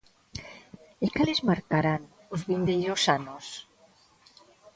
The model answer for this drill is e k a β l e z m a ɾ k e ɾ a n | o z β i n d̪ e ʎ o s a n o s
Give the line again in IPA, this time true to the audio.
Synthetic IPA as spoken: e k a l e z m a ɾ k a ɾ a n | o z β i n d̪ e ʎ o s a n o s